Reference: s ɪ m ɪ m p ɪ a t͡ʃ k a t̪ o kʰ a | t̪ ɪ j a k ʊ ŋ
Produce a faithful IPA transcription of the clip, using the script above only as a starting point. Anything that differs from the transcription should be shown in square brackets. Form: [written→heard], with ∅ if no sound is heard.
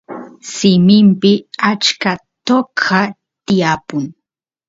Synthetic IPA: s ɪ m ɪ m p ɪ a t͡ʃ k a t̪ o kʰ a | t̪ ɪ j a [k→p] ʊ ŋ